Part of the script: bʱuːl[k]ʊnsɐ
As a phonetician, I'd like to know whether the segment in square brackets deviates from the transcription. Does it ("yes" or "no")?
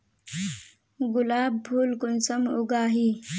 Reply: no